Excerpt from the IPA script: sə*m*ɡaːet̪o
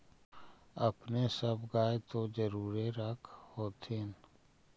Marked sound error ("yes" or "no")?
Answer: yes